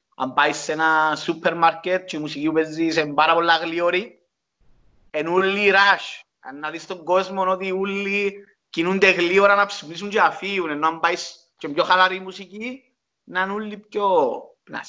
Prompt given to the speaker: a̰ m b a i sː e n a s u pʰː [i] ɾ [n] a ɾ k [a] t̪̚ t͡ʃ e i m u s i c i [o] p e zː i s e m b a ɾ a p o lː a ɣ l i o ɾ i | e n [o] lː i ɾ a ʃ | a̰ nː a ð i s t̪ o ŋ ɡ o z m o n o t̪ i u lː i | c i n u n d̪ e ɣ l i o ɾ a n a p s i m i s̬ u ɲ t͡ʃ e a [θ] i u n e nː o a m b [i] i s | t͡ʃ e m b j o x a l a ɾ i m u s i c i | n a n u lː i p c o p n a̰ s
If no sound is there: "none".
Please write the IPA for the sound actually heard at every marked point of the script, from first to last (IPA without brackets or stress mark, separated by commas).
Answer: e, m, e, u, u, f, a